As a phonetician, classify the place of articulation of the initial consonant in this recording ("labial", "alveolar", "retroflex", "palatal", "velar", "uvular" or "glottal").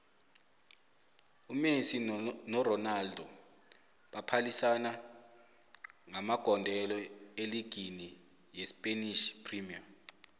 labial